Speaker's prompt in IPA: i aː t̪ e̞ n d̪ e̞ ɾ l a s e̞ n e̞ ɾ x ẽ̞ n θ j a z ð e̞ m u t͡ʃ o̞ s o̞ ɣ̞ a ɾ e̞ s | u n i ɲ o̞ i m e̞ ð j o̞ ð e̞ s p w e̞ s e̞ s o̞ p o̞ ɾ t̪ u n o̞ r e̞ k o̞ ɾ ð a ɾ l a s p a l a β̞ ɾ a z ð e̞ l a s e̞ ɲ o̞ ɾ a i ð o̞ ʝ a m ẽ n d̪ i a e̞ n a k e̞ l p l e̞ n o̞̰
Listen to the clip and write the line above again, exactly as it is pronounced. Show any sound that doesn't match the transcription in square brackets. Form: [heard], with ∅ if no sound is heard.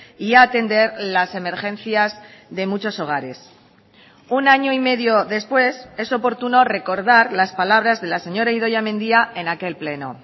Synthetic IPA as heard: i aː t̪ e̞ n d̪ e̞ ɾ l a s e̞ [m] e̞ ɾ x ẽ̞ n θ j a z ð e̞ m u t͡ʃ o̞ s o̞ ɣ̞ a ɾ e̞ s | u n [a] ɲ o̞ i m e̞ ð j o̞ ð e̞ s p w e̞ s e̞ s o̞ p o̞ ɾ t̪ u n o̞ r e̞ k o̞ ɾ ð a ɾ l a s p a l a β̞ ɾ a z ð e̞ l a s e̞ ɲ o̞ ɾ a i ð o̞ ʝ a m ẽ n d̪ i a e̞ n a k e̞ l p l e̞ n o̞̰